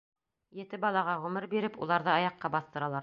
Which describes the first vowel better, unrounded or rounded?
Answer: unrounded